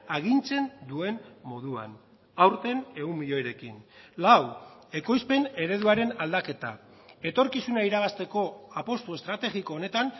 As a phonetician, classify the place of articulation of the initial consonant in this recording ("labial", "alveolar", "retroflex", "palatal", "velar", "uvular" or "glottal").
velar